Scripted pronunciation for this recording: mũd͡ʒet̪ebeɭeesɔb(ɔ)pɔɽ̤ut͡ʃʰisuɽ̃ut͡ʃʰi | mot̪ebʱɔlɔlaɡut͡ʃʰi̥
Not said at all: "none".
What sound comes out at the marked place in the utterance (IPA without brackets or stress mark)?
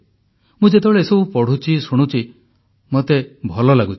u